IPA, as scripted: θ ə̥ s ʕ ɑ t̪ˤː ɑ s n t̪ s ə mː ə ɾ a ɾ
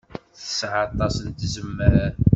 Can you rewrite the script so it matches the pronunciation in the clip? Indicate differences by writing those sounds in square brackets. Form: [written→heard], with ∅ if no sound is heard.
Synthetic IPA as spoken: θ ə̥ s ʕ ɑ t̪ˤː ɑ s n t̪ [s→z] ə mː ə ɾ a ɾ